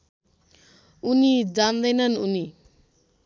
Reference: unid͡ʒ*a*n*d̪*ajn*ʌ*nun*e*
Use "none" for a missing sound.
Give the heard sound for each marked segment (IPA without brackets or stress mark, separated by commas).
a, d̪, a, i